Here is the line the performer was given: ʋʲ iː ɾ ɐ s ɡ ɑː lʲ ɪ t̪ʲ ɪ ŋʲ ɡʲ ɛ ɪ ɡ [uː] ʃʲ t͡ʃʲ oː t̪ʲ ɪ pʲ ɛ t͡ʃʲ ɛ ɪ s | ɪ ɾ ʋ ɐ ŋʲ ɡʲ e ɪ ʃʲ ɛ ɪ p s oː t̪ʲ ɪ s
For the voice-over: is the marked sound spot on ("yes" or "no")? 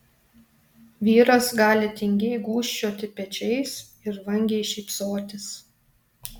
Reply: yes